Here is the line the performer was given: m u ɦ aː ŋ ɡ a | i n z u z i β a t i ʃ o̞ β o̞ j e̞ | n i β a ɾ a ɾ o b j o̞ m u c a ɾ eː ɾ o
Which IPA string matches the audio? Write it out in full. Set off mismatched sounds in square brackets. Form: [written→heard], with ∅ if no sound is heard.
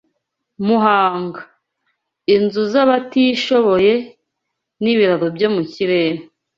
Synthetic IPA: m u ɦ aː ŋ ɡ a | i n z u z [i→a] β a t i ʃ o̞ β o̞ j e̞ | n i β [a→i] ɾ a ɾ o b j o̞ m u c [a→i] ɾ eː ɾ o

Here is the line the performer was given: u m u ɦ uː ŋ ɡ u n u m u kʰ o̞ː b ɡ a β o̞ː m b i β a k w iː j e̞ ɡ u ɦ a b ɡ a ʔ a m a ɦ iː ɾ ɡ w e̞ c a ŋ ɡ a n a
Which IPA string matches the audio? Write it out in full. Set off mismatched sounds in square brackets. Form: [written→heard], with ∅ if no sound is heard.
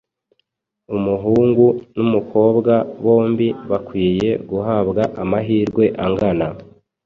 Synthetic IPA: u m u ɦ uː ŋ ɡ u n u m u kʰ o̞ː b ɡ a β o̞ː m b i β a k w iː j e̞ ɡ u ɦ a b ɡ a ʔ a m a ɦ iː ɾ ɡ w e̞ [c→ʔ] a ŋ ɡ a n a

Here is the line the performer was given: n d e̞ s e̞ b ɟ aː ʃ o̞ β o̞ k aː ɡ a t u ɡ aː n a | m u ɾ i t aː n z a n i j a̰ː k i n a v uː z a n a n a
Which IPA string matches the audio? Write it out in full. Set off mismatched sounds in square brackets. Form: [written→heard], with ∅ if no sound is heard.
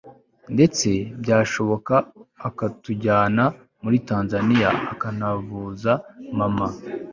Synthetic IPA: n d e̞ [s→t͡s] e̞ b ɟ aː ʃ o̞ β o̞ k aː [ɡ→k] a t u [ɡ→ɟ] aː n a | m u ɾ i t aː n z a n i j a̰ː k [i→a] n a v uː z a [n→m] a [n→m] a

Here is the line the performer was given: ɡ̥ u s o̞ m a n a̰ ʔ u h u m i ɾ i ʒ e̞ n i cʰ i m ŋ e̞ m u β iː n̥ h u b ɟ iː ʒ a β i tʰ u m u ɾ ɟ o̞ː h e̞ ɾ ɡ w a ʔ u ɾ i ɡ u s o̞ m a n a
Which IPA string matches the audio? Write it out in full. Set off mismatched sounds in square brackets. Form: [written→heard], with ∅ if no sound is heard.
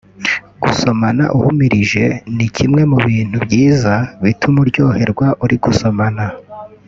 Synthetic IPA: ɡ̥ u s o̞ m a n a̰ ʔ u h u m i ɾ i ʒ e̞ n i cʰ i m ŋ e̞ m u β iː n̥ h u b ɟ iː [ʒ→z] a β i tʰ u m u ɾ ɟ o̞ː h e̞ ɾ ɡ w a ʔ u ɾ i ɡ u s o̞ m a n a

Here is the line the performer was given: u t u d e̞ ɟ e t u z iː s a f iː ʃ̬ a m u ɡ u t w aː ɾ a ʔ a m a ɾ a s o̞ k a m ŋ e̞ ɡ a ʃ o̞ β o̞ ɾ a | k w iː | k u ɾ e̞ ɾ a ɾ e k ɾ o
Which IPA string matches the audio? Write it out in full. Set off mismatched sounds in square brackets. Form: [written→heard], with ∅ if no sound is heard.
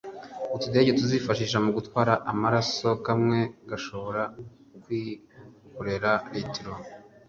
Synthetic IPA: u t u d e̞ ɟ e t u z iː [s→f] a [f→ʃ] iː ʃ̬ a m u ɡ u t w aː ɾ a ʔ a m a ɾ a s o̞ k a m ŋ e̞ ɡ a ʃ o̞ β o̞ ɾ a | k w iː | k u ɾ e̞ ɾ a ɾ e [k→t] ɾ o

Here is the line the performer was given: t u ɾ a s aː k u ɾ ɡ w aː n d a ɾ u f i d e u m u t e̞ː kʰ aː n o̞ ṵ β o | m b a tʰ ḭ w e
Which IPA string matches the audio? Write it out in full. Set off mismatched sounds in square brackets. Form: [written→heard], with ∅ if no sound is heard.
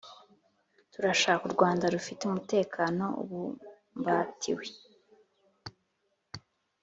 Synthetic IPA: t u ɾ a [s→ʃ] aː k u ɾ ɡ w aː n d a ɾ u f i [d→t] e u m u t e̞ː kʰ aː n o̞ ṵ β [o→u] | m b a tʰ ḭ w e

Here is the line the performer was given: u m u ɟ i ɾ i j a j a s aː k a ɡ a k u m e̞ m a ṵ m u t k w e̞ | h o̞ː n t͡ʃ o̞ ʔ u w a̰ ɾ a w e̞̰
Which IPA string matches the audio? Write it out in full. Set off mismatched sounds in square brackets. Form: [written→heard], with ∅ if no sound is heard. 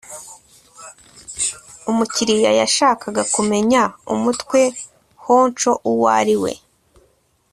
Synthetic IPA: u m u [ɟ→c] i ɾ i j a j a [s→ʃ] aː k a ɡ a k u m e̞ [m→ɲ] a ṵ m u t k w e̞ | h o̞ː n t͡ʃ o̞ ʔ u w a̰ ɾ [a→i] w e̞̰

